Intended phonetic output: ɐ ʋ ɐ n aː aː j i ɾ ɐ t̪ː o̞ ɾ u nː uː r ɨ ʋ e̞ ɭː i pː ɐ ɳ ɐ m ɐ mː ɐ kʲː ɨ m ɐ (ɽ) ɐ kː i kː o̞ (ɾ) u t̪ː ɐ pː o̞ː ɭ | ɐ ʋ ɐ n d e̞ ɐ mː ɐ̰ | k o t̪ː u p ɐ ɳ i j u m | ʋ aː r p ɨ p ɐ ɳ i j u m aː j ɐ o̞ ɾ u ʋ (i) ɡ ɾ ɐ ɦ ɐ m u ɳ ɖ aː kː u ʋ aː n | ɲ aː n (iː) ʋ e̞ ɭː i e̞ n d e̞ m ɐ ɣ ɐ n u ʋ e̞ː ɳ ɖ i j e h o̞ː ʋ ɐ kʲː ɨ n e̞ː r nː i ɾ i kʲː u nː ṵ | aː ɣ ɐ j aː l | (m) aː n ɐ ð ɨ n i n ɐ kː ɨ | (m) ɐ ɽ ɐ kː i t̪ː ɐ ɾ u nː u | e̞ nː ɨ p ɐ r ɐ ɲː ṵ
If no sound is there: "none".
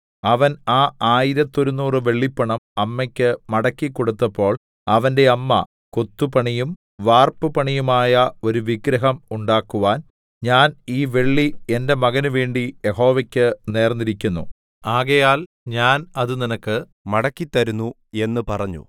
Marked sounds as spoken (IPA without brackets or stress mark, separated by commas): ɽ, ɽ, i, iː, ɲ, m